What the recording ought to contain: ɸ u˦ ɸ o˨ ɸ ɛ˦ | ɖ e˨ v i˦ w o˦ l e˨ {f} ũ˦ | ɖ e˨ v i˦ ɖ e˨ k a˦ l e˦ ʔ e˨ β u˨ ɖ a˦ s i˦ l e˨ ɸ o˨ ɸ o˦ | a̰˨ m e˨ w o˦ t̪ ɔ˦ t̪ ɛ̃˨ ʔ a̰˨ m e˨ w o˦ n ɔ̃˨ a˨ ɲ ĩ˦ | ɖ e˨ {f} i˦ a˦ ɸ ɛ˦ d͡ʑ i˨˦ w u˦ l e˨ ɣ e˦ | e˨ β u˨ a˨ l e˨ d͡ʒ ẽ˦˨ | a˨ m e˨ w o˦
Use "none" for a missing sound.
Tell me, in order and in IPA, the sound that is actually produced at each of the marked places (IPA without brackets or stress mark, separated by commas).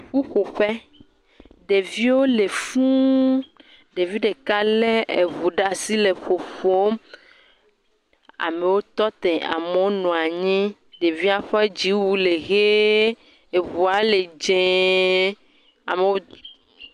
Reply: f, v